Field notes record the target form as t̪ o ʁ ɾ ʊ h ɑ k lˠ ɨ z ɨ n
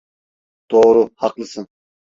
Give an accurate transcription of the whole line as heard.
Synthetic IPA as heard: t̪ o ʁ ɾ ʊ h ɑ q lˠ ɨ s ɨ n